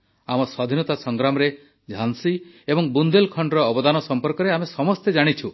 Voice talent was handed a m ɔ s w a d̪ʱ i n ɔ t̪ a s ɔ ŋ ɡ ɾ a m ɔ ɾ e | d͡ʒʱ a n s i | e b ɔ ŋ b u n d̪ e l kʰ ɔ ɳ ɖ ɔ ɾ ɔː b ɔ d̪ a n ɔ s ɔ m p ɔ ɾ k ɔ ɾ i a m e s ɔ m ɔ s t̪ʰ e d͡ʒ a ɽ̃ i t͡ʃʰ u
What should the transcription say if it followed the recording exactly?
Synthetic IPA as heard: a m ɔ s w a d̪ʱ i n ɔ t̪ a s ɔ ŋ ɡ ɾ a m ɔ ɾ e | d͡ʒʱ a n s i | e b ɔ ŋ b u n d̪ e l kʰ ɔ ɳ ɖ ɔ ɾ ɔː b ɔ d̪ a n ɔ s ɔ m p ɔ ɾ k ɔ ɾ e a m e s ɔ m ɔ s t̪ e d͡ʒ a ɽ̃ i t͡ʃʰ u